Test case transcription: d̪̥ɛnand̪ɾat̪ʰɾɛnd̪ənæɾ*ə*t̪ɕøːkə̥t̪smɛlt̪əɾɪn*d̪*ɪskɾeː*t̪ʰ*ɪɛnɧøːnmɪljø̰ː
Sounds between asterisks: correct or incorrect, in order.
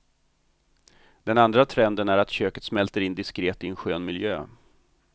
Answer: incorrect, correct, incorrect

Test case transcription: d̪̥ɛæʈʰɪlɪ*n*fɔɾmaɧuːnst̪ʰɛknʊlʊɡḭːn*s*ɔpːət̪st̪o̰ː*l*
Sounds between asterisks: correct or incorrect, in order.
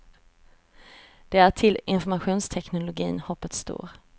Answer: correct, incorrect, incorrect

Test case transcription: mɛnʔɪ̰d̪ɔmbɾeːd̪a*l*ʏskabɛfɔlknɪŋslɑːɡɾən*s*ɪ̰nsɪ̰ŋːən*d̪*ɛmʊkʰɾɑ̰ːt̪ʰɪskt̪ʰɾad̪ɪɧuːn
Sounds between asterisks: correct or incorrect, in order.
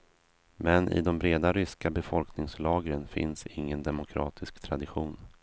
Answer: incorrect, incorrect, correct

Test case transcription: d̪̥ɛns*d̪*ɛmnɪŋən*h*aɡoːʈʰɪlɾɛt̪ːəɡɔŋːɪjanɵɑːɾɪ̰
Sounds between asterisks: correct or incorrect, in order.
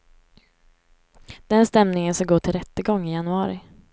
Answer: incorrect, incorrect

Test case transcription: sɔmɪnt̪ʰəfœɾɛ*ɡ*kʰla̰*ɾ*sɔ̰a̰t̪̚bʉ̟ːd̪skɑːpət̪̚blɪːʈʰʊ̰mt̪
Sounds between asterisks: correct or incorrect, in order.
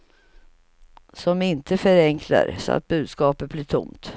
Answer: incorrect, correct

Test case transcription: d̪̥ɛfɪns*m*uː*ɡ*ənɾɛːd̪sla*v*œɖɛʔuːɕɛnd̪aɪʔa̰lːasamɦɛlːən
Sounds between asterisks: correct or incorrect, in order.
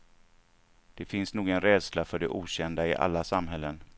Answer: incorrect, correct, incorrect

